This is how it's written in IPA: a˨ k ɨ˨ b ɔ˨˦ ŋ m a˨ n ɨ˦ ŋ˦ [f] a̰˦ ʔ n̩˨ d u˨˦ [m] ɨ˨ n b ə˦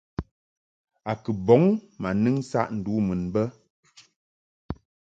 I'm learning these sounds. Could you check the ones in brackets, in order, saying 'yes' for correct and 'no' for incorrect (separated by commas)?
no, yes